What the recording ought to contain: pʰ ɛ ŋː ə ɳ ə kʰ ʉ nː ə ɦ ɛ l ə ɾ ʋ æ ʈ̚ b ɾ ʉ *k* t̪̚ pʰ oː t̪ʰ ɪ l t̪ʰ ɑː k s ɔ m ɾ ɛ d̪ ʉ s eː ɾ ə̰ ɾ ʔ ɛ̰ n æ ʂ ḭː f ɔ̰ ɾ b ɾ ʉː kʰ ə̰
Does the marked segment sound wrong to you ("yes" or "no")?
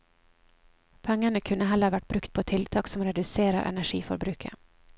no